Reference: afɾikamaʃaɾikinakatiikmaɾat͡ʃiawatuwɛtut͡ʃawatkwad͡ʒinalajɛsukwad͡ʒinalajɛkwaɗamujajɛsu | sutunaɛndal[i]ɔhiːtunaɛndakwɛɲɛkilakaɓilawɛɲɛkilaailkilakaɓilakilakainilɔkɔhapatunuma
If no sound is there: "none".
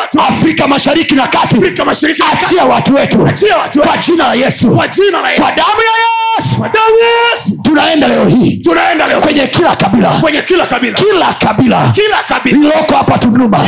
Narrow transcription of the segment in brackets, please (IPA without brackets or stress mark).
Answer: ɛ